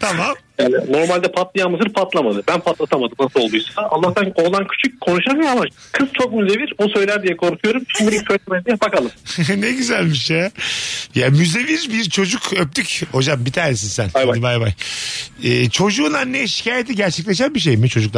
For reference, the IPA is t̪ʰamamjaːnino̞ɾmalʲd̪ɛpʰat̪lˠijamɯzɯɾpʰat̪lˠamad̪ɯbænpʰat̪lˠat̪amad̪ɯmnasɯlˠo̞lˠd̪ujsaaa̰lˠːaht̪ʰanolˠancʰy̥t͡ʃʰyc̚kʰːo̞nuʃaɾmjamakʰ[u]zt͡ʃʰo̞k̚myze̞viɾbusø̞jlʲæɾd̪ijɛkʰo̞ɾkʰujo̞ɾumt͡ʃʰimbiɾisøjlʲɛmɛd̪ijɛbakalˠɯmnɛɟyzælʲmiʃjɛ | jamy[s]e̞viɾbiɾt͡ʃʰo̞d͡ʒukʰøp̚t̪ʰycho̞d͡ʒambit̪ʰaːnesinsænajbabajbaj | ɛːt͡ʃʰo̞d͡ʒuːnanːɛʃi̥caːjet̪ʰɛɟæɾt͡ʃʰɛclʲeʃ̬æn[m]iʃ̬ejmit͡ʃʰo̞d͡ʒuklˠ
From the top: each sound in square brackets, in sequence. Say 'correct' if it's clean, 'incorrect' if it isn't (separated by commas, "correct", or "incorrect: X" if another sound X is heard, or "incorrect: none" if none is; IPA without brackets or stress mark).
incorrect: ɯ, incorrect: z, incorrect: b